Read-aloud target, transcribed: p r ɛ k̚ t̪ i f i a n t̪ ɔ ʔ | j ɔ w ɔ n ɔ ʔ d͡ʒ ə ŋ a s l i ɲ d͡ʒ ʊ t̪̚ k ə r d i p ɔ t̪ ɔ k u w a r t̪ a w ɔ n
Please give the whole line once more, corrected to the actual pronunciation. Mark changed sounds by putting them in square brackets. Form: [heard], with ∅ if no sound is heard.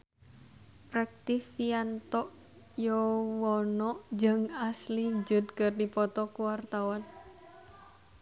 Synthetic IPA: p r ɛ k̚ t̪ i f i a n t̪ ɔ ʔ | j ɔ w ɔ n ɔ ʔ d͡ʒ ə ŋ a s l i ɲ d͡ʒ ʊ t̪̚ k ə r d i p ɔ t̪ ɔ k u w a r t̪ a w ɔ n